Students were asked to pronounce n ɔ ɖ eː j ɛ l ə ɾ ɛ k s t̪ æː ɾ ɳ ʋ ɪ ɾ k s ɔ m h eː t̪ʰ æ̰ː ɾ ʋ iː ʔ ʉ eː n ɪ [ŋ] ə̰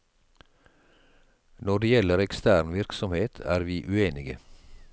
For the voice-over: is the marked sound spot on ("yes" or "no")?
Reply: no